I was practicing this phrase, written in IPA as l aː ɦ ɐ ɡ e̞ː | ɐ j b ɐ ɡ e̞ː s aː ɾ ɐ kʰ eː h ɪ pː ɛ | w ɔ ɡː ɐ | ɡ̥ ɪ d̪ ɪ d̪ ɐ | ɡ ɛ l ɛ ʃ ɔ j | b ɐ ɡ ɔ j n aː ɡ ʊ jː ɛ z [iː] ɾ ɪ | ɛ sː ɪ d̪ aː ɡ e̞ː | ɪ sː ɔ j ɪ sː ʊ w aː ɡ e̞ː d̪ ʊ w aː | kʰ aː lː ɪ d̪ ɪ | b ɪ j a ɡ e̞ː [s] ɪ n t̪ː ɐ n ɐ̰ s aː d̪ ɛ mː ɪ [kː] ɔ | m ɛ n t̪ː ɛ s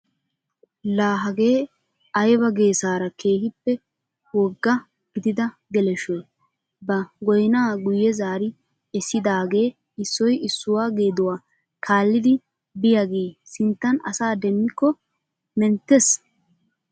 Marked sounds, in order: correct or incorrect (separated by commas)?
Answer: incorrect, correct, correct